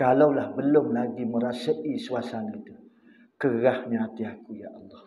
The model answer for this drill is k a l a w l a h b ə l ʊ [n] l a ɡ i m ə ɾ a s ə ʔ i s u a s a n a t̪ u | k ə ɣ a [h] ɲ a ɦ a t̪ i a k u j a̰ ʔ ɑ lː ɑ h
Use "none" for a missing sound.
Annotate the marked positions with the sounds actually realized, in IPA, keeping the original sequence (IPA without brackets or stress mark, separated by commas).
m, h